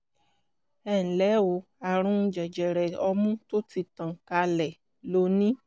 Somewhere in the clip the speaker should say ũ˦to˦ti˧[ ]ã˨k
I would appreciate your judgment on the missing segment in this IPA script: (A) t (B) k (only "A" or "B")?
A